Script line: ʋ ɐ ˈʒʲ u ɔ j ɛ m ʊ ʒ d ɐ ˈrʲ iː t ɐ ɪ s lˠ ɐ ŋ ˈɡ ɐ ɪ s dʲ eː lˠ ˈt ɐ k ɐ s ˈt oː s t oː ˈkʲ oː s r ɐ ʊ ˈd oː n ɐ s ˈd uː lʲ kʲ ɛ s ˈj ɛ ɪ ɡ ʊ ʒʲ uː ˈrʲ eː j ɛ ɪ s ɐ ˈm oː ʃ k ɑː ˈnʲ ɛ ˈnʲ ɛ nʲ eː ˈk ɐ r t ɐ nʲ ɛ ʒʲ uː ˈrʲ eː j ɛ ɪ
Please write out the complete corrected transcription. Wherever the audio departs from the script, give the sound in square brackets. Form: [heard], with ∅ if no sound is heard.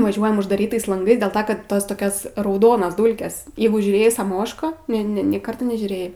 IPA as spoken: ʋ ɐ ˈʒʲ u ɔ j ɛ m ʊ ʒ d ɐ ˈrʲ iː t ɐ ɪ s lˠ ɐ ŋ ˈɡ ɐ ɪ s dʲ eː lˠ ˈt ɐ k ɐ [t] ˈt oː s t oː ˈkʲ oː s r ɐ ʊ ˈd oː n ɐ s ˈd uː lʲ kʲ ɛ s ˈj ɛ ɪ ɡ ʊ ʒʲ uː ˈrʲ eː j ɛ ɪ s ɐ ˈm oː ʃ k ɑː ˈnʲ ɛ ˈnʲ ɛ nʲ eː ˈk ɐ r t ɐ nʲ ɛ ʒʲ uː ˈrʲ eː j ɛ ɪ